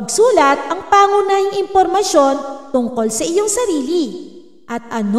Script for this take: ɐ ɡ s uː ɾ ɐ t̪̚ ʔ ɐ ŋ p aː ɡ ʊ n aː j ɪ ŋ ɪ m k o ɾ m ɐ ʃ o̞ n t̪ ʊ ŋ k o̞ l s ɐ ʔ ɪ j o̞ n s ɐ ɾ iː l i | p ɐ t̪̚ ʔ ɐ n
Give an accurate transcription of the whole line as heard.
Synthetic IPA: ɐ ɡ s uː l ɐ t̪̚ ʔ ɐ ŋ p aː ŋ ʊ n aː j ɪ ŋ ɪ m p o ɾ m ɐ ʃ o̞ n t̪ ʊ ŋ k o̞ l s ɐ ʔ ɪ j o̞ ŋ s ɐ ɾ iː l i | ʔ ɐ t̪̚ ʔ ɐ n